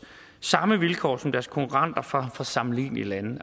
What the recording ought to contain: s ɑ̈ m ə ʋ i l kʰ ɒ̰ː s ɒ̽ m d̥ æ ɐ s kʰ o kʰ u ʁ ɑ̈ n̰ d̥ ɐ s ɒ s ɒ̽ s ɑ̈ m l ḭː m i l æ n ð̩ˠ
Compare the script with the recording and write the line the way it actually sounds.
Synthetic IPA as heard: s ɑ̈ m ə ʋ i l kʰ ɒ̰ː s ɒ̽ m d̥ æ ɐ s kʰ o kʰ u ʁ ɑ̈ n̰ d̥ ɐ f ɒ f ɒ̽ s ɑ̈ m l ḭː n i l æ n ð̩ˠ